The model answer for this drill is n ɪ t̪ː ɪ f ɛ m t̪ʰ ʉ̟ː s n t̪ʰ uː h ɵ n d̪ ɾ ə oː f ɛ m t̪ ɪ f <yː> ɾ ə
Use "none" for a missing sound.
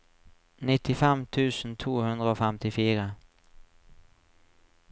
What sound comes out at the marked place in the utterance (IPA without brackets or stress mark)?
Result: iː